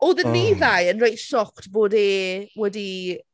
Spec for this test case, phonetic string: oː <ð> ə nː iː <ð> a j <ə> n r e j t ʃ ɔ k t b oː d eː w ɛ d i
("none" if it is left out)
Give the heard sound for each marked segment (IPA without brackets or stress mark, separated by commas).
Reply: ð, ð, ə